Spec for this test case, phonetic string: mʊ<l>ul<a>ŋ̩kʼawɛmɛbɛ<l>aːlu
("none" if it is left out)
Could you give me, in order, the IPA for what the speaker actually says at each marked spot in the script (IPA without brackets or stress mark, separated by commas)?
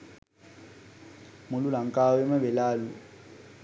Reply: l, a, l